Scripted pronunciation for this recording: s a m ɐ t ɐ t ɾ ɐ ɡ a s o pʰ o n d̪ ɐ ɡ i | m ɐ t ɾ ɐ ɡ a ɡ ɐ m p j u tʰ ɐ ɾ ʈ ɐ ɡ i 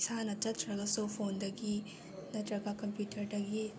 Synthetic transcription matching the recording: s a n ɐ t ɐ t ɾ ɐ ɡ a s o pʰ o n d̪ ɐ ɡ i | n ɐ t ɾ ɐ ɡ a k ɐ m p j u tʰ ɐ ɾ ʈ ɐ ɡ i